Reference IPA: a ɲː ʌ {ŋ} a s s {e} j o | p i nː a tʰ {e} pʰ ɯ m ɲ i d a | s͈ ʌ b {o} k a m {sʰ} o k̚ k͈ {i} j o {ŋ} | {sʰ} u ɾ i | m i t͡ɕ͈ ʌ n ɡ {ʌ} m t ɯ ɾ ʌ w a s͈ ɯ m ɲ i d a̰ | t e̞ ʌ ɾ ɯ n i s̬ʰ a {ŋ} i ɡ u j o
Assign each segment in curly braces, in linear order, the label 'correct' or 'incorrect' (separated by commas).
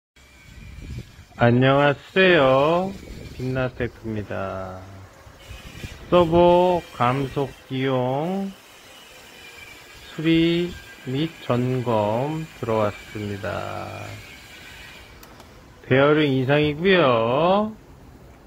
correct, correct, correct, correct, correct, correct, correct, correct, correct, correct